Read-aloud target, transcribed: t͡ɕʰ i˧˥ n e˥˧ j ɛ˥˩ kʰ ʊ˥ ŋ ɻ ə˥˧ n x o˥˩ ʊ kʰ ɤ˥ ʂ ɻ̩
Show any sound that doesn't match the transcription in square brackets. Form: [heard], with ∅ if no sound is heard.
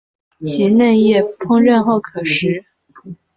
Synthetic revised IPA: t͡ɕʰ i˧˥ n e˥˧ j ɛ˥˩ [pʰ] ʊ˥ ŋ ɻ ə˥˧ n x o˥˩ ʊ kʰ [ɤ˨˩] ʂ ɻ̩

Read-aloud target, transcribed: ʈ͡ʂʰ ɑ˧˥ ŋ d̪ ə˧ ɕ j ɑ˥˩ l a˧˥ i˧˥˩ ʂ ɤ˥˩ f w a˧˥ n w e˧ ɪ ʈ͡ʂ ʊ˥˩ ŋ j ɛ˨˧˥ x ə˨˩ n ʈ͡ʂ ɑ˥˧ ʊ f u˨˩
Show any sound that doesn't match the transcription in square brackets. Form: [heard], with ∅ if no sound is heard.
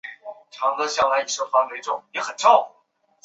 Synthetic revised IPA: ʈ͡ʂʰ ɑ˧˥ ŋ d̪ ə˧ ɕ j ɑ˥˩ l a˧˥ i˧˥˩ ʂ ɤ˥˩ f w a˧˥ n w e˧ ɪ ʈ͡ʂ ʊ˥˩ ŋ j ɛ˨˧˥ x ə˨˩ n ʈ͡ʂ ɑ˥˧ ʊ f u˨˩

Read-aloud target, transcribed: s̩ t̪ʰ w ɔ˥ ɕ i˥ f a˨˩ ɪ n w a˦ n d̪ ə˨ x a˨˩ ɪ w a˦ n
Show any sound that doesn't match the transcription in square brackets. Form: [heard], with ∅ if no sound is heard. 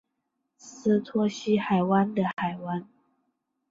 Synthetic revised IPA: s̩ t̪ʰ w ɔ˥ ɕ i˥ [x] a˨˩ ɪ [∅] w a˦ n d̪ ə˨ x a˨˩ ɪ w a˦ n

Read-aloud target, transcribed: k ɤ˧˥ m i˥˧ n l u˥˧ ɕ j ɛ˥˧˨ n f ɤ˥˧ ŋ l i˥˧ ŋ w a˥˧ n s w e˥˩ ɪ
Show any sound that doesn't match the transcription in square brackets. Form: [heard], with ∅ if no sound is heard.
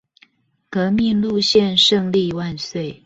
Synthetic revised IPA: k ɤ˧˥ m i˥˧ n l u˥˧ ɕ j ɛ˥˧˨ n [ʂ] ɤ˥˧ ŋ l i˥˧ [∅] w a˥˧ n s w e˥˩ ɪ

